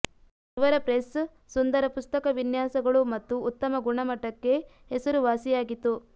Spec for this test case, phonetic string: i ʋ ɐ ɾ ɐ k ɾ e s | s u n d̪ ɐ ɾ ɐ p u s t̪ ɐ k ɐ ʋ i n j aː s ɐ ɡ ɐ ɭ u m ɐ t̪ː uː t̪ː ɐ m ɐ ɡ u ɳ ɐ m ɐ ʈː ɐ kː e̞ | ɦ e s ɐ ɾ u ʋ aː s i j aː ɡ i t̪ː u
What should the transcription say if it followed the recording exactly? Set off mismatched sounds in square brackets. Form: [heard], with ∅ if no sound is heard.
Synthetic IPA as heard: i ʋ ɐ ɾ ɐ [p] ɾ e s | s u n d̪ ɐ ɾ ɐ p u s t̪ ɐ k ɐ ʋ i n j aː s ɐ ɡ ɐ ɭ u m ɐ t̪ː uː t̪ː ɐ m ɐ ɡ u ɳ ɐ m ɐ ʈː ɐ kː e̞ | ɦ e s ɐ ɾ u ʋ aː s i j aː ɡ i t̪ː u